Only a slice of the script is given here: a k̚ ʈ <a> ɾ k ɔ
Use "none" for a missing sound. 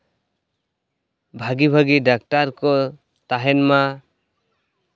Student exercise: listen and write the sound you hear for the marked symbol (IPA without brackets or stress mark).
a